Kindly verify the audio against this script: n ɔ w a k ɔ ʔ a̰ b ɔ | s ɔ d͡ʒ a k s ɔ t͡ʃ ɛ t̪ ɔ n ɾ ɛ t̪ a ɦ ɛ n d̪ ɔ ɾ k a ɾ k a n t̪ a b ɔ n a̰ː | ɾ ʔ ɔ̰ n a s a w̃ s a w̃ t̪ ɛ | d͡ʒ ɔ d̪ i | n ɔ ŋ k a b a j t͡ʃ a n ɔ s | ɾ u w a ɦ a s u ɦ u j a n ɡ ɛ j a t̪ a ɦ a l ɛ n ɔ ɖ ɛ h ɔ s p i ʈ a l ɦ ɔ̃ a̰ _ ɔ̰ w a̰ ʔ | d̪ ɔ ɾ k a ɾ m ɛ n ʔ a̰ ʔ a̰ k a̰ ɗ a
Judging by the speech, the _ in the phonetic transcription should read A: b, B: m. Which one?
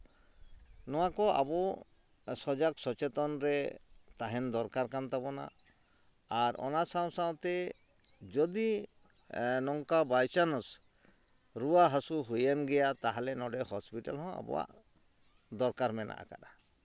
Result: A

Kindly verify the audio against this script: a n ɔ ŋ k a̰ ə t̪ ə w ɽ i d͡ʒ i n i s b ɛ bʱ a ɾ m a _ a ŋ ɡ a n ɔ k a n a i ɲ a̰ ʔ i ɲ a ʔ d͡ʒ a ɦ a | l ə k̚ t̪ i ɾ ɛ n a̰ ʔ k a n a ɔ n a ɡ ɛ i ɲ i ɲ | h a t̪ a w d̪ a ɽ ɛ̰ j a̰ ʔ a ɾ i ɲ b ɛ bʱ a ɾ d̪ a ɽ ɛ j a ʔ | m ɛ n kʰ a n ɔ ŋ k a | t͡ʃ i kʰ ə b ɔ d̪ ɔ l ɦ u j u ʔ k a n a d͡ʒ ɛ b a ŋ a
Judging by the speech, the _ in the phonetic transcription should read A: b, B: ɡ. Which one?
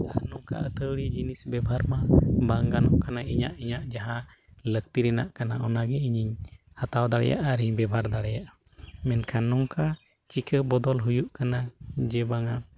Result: A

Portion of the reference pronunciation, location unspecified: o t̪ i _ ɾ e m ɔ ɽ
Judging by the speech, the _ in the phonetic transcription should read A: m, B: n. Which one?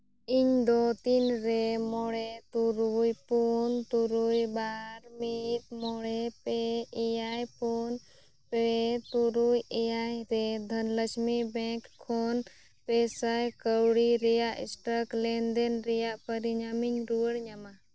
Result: B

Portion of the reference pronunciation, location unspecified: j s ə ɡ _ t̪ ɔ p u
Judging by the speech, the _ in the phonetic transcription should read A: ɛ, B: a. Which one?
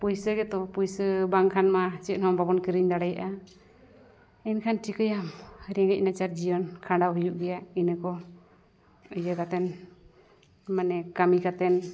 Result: A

